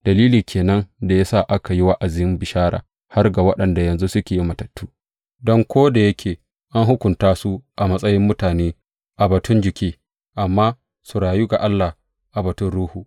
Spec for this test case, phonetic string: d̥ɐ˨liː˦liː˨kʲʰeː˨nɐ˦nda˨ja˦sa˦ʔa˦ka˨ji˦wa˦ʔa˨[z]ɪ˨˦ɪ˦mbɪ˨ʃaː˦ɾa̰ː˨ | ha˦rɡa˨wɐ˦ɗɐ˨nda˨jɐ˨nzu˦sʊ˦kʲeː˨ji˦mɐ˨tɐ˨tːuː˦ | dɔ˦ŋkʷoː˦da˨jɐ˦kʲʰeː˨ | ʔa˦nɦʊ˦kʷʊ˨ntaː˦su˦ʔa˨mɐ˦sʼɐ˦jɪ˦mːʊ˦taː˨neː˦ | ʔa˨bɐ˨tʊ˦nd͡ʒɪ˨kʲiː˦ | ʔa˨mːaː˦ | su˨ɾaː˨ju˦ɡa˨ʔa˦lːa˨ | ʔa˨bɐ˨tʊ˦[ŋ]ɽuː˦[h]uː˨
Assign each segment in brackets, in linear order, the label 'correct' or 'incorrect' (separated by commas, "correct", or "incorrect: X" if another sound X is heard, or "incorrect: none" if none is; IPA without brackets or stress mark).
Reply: correct, incorrect: n, correct